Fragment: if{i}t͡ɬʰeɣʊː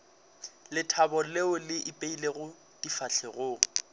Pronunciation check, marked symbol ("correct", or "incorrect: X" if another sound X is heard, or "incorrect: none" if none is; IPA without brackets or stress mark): incorrect: a